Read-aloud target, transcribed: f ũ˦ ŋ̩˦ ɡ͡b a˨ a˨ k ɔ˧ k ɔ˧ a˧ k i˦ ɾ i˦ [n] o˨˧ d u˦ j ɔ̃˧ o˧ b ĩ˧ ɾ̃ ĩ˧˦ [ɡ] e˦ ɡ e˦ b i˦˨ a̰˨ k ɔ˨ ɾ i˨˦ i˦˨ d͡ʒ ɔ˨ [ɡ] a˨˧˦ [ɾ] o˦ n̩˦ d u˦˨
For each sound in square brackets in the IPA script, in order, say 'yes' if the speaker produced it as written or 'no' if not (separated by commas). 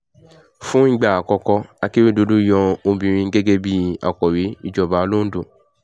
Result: no, yes, no, no